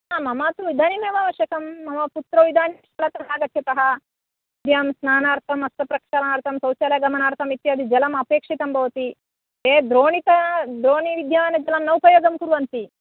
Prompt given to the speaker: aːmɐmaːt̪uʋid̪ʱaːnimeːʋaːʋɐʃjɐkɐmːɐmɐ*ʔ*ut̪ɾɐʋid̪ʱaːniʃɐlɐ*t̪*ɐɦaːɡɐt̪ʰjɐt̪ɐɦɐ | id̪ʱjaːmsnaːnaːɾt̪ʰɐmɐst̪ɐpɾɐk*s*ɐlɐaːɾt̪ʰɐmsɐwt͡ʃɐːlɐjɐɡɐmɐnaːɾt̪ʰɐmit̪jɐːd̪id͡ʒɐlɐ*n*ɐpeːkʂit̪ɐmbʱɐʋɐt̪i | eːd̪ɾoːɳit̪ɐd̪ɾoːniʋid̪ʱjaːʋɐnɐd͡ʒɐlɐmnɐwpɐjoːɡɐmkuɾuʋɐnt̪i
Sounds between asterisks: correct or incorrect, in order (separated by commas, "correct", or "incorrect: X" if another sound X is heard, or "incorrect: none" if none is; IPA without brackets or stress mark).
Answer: incorrect: p, correct, incorrect: ʂ, incorrect: m